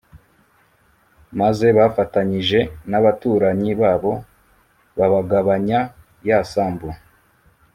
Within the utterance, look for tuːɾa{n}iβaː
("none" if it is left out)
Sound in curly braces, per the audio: ɲ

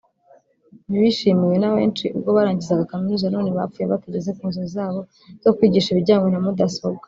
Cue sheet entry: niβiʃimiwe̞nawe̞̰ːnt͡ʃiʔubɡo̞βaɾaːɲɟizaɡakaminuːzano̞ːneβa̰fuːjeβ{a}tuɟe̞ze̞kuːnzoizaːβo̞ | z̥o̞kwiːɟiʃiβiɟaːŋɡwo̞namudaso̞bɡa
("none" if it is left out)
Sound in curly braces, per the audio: a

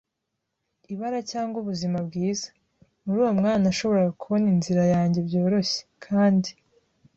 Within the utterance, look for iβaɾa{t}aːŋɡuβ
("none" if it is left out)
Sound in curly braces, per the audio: c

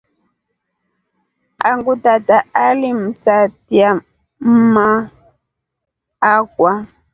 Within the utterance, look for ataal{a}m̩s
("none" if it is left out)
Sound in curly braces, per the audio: i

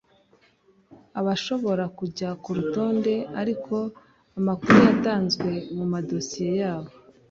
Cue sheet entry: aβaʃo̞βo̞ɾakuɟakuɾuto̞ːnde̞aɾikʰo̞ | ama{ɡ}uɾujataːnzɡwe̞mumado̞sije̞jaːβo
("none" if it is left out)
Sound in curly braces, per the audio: k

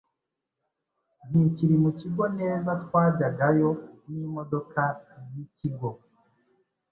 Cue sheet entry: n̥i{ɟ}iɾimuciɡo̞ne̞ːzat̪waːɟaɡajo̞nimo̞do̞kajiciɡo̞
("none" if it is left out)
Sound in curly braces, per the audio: c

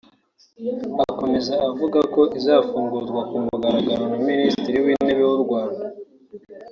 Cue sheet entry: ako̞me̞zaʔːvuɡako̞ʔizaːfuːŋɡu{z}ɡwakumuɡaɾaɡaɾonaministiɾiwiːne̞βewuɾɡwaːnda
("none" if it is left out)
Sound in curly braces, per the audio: z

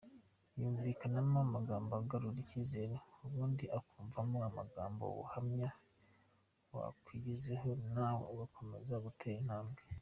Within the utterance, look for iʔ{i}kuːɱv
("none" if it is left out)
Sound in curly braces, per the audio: a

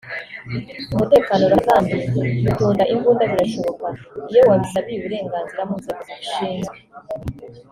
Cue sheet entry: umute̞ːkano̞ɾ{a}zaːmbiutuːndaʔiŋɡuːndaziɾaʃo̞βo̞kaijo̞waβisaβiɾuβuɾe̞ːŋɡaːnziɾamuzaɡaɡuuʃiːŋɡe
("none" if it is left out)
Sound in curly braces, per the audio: a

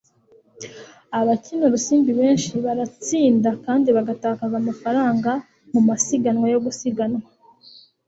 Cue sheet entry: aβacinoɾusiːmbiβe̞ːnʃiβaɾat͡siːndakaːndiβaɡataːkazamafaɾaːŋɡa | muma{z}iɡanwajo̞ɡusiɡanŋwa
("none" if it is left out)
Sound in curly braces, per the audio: s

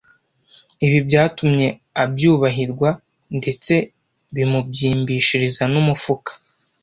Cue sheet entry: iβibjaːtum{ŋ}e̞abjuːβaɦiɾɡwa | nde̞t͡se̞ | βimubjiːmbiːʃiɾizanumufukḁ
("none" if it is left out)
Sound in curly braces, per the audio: ɲ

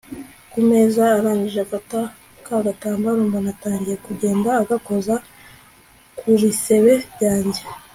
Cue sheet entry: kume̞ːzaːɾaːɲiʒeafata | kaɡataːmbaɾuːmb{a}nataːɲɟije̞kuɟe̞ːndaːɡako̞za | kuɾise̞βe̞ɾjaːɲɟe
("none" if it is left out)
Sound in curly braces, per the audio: a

